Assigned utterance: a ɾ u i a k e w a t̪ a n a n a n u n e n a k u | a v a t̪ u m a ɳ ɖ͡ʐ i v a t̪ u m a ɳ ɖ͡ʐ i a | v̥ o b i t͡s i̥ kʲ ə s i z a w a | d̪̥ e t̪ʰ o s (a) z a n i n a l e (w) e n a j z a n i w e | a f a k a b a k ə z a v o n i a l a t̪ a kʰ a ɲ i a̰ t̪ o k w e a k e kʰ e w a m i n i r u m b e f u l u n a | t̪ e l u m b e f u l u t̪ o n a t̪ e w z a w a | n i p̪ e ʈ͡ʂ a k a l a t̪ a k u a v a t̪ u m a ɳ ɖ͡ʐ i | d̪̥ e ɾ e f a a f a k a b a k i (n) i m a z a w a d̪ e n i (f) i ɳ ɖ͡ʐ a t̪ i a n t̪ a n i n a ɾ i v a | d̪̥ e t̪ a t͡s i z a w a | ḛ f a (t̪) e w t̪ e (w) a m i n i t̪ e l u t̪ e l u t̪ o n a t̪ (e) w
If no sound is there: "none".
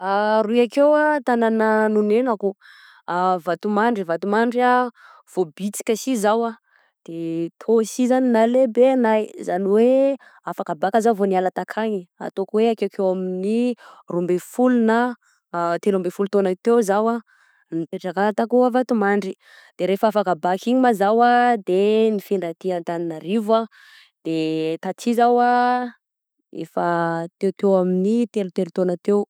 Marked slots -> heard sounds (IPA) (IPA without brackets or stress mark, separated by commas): i, b, ɲ, f, t̪, w, e